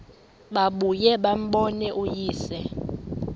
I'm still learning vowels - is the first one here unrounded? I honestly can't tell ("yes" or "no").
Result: yes